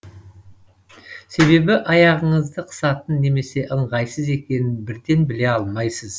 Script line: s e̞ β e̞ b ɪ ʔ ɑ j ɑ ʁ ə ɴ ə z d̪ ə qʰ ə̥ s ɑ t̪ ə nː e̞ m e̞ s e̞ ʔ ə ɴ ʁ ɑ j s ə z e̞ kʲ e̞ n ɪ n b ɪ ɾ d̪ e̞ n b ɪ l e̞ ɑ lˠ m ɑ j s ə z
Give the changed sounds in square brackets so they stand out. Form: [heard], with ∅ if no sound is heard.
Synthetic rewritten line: s e̞ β e̞ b ɪ ʔ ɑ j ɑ ʁ ə ɴ ə z d̪ ə qʰ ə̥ s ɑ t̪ ə nː e̞ m e̞ s e̞ ʔ ə ɴ ʁ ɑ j s ə z e̞ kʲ e̞ n ɪ n b ɪ ɾ d̪ e̞ n b ɪ l e̞ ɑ lˠ m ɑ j s ə z